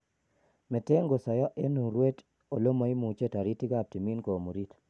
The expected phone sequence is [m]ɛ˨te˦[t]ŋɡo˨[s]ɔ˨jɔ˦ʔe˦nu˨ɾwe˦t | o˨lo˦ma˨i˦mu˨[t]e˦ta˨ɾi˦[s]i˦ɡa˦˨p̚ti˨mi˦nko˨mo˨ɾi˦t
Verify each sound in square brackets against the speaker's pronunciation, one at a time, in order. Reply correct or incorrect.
correct, incorrect: none, correct, incorrect: t͡ʃ, incorrect: t

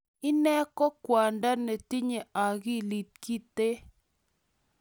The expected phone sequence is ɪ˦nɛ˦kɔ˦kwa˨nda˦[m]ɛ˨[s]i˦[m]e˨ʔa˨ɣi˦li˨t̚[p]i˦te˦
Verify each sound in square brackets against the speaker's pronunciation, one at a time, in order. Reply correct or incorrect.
incorrect: n, incorrect: t, incorrect: ɲ, incorrect: k

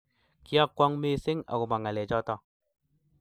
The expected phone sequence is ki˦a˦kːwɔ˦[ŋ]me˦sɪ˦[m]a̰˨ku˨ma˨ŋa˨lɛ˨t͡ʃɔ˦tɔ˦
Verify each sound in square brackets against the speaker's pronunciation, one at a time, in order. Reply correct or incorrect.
correct, incorrect: ŋ

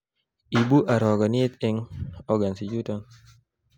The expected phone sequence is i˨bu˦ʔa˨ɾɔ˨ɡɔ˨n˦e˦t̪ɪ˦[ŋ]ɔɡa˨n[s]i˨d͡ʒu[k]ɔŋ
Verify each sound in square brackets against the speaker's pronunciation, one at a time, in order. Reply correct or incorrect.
correct, correct, incorrect: t

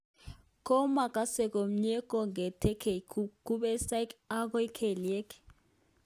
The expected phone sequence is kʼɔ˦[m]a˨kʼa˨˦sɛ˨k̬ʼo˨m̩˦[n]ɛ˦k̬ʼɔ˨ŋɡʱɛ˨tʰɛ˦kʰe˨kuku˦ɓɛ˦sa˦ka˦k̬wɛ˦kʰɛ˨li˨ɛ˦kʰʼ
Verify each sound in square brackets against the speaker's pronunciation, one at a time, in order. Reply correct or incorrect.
correct, incorrect: ɲ

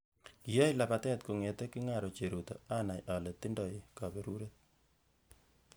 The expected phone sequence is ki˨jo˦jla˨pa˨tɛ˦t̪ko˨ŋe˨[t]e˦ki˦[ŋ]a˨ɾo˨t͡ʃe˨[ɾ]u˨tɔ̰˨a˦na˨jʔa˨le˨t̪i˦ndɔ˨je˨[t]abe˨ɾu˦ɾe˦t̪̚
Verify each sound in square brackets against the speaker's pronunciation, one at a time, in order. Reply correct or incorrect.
correct, correct, correct, incorrect: k

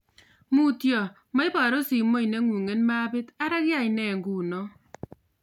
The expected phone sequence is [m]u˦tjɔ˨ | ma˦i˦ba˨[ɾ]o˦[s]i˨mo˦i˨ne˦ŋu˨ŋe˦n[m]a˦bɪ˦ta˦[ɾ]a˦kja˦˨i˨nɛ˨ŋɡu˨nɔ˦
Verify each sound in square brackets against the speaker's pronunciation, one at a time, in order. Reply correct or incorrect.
correct, correct, correct, correct, correct

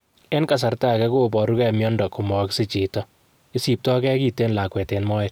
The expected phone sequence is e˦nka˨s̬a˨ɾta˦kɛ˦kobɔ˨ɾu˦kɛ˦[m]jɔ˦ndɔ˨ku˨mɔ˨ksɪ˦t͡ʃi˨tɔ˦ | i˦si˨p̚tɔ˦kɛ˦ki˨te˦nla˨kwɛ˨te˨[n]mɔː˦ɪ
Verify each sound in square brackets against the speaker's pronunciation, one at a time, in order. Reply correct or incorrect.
correct, correct

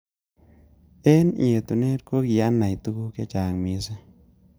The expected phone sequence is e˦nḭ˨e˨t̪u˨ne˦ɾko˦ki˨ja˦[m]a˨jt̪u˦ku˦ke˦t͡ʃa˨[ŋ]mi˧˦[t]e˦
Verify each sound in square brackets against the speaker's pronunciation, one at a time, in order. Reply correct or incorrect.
incorrect: n, correct, incorrect: s

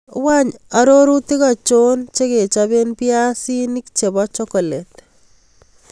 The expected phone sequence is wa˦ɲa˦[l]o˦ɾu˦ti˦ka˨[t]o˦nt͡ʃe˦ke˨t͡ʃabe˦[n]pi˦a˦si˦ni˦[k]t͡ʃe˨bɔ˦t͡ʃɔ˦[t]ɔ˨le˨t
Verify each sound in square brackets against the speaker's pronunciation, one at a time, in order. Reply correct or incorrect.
incorrect: ɾ, incorrect: t͡ʃ, correct, correct, incorrect: k

